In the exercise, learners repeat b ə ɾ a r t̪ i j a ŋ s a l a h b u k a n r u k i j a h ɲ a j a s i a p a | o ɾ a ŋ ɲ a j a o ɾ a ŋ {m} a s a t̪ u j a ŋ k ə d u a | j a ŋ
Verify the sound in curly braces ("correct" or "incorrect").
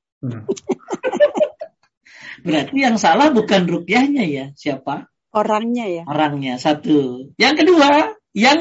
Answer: incorrect